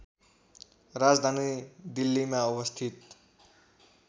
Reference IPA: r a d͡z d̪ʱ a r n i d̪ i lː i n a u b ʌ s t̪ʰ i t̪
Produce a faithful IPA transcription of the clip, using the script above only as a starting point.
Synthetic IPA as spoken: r a d͡z d̪ʱ a n i d̪ i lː i m a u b ʌ s t̪ʰ i t̪